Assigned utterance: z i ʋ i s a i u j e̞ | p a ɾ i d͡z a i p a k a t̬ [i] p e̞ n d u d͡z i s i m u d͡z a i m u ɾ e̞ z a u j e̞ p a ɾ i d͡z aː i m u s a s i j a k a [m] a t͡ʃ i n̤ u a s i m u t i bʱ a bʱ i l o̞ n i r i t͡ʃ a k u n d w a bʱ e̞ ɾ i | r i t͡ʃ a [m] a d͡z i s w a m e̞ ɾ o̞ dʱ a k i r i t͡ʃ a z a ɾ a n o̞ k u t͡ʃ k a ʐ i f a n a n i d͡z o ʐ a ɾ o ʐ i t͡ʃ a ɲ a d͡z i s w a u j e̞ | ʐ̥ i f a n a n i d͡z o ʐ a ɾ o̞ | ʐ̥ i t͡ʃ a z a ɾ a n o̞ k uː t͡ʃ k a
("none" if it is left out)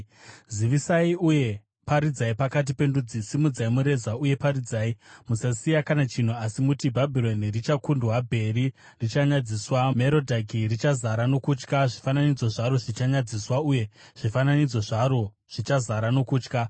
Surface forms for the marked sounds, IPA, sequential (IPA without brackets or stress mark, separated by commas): i, n, ɲ